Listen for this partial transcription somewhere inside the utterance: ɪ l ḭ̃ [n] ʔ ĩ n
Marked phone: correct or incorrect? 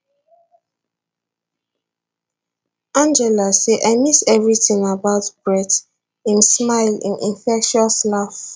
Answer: correct